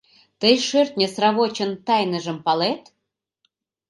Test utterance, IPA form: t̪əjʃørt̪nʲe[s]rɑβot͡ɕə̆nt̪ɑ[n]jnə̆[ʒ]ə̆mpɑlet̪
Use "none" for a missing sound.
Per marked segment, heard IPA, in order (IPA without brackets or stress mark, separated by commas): s, none, ʒ